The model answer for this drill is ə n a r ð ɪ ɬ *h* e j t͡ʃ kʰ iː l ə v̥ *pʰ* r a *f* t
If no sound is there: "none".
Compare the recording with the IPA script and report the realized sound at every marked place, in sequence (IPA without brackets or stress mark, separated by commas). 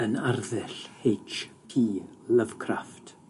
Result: h, kʰ, f